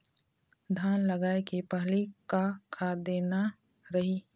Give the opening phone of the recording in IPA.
d̪ʱ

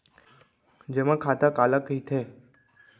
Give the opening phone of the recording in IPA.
d͡ʒ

